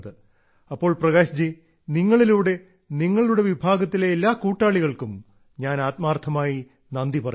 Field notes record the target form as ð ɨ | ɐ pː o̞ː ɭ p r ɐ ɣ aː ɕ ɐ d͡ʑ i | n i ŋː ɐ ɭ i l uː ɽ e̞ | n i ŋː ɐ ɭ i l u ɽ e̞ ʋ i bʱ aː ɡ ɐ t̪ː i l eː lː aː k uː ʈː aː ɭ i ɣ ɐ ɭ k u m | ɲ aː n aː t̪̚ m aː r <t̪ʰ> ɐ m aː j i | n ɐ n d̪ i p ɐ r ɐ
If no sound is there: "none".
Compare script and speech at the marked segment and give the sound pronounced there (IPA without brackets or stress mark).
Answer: t̪ʰ